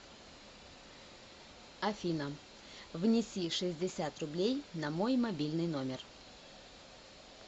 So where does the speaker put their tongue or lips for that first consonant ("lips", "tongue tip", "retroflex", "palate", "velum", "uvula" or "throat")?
lips